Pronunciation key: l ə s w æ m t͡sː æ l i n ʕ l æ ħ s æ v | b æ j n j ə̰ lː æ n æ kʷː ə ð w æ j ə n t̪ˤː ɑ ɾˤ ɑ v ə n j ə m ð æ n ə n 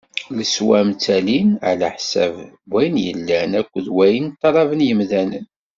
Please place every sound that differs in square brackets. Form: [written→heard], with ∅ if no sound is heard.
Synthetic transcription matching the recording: l ə s w æ m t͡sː æ l i n ʕ l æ ħ s æ v | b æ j n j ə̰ lː æ n æ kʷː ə ð w æ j ə n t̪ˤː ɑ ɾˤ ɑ v ə n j ə m ð æ n ə n